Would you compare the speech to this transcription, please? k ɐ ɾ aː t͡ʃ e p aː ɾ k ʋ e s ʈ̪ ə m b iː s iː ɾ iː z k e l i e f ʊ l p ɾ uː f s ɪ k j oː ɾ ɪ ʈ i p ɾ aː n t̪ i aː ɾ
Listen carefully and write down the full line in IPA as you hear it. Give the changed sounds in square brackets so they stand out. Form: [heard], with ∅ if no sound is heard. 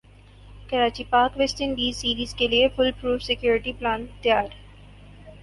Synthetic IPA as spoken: k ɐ ɾ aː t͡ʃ [i] p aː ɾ k ʋ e s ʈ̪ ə [n] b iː s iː ɾ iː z k e l i e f ʊ l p ɾ uː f s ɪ k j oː ɾ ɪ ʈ i p [l] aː n t̪ [j] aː ɾ